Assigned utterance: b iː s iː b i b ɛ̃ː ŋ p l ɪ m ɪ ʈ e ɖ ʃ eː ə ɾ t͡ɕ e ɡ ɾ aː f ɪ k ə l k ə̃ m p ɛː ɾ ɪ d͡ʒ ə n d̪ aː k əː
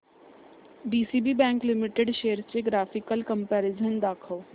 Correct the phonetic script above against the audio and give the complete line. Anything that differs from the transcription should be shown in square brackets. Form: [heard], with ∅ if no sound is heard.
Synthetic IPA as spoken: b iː s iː b i b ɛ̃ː ŋ [k] l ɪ m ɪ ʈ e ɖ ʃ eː ə ɾ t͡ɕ e ɡ ɾ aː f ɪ k ə l k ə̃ m p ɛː ɾ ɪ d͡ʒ ə n d̪ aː [kʰ] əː

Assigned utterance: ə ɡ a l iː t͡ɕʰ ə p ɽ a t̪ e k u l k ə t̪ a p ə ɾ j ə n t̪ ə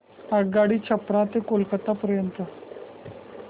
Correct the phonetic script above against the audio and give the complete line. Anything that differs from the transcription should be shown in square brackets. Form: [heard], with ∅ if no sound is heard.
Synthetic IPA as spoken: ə ɡ a [ɽ] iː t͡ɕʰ ə p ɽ a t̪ e k [o] l k ə t̪ a p ə ɾ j ə n t̪ ə

